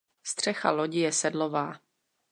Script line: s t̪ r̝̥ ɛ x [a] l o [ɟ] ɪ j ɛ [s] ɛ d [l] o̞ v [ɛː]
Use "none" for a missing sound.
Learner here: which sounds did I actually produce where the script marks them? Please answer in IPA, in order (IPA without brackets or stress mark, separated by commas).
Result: a, ɟ, s, l, aː